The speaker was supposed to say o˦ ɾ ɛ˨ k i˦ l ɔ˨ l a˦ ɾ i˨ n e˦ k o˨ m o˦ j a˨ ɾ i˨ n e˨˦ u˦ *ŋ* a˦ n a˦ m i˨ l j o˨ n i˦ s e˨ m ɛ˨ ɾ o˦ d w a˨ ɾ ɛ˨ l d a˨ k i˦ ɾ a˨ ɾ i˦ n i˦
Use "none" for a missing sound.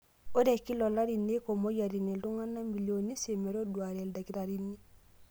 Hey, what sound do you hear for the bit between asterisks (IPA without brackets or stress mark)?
ŋ